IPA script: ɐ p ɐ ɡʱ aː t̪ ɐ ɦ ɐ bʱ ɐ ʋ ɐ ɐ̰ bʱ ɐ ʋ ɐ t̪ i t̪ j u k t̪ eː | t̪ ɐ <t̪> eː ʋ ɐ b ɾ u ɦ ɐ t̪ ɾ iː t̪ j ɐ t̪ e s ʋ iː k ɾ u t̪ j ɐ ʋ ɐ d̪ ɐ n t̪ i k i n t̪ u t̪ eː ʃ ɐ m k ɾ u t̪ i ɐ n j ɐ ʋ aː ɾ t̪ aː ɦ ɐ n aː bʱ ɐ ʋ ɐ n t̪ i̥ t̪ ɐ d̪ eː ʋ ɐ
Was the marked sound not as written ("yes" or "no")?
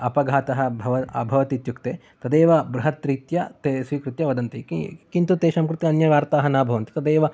yes